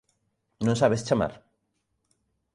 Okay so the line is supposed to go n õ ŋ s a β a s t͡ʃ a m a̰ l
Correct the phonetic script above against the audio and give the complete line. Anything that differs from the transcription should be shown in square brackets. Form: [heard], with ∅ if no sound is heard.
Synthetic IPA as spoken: n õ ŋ s a β [e] s t͡ʃ a m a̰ [ɾ]